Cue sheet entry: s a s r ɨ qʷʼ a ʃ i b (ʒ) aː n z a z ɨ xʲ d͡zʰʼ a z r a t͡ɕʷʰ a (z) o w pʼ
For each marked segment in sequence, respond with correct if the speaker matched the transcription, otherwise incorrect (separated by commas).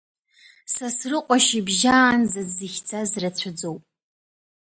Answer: correct, incorrect